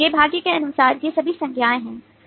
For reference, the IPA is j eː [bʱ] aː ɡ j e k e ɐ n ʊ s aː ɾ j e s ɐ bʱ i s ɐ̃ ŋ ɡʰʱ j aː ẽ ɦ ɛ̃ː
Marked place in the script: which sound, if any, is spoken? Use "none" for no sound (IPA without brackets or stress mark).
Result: bʱ